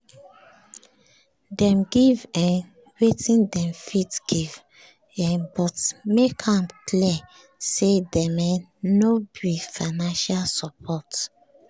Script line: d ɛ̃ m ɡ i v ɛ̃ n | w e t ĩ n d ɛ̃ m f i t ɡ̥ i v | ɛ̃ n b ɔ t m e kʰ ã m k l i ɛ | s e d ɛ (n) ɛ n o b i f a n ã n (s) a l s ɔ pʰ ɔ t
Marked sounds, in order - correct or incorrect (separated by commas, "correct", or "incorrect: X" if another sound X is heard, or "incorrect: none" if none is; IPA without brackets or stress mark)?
incorrect: m, incorrect: ʃ